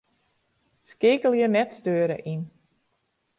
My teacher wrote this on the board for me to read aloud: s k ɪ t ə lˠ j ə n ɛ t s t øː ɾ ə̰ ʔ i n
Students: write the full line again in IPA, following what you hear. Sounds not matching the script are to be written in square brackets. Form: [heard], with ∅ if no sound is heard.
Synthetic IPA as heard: s k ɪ [k] ə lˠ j ə n ɛ t s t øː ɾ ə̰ ʔ i n